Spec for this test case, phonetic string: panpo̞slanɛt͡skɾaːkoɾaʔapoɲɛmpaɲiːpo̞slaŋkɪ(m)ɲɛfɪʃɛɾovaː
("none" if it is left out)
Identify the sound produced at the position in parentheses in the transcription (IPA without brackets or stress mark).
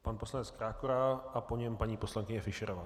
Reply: none